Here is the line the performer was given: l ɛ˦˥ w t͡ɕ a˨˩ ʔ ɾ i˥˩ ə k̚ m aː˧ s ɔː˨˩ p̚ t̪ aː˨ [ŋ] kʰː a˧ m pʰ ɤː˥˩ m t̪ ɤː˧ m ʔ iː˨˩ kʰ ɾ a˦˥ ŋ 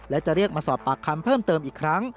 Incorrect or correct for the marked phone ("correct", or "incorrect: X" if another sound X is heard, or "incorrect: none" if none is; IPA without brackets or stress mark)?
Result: incorrect: none